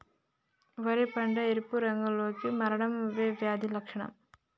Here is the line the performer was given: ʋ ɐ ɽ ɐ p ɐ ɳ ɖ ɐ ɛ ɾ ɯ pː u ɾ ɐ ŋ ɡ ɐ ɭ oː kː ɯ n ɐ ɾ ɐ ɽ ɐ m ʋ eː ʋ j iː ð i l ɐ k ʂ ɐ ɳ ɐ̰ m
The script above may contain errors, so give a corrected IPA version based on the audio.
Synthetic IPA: ʋ ɐ ɾ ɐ p ɐ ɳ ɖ ɐ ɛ ɾ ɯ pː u ɾ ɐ ŋ ɡ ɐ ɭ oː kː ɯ m ɐ ɾ ɐ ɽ ɐ m ʋ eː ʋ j aː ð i l ɐ k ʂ ɐ ɳ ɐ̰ m